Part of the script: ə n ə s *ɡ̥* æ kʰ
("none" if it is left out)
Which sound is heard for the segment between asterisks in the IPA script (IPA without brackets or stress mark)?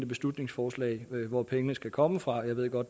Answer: ɡ̥